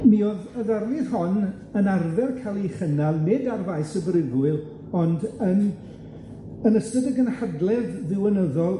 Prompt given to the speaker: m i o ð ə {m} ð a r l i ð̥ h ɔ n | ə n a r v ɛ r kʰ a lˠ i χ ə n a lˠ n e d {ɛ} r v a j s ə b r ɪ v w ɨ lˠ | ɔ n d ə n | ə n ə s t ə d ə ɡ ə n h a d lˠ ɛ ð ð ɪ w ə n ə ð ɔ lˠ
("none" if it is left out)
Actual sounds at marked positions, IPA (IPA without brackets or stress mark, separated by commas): none, a